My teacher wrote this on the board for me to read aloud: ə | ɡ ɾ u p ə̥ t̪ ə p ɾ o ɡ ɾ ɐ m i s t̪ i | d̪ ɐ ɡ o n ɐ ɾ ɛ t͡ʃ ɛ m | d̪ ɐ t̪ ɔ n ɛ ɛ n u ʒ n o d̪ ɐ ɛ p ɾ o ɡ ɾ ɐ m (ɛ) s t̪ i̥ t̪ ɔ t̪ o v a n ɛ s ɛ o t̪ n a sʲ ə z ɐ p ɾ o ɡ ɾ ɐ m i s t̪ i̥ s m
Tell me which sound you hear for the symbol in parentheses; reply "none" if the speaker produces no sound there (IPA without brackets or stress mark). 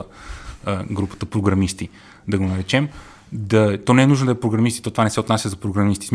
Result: i